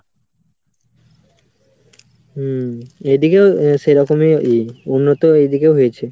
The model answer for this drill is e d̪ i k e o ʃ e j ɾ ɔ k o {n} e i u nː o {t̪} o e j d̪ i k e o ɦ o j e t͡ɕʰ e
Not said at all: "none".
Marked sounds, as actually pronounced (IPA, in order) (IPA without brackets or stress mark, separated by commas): m, t̪